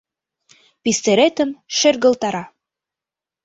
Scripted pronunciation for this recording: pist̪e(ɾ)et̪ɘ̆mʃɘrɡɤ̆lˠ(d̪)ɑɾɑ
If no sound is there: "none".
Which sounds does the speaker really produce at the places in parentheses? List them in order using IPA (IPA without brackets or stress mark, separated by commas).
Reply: ɾ, t̪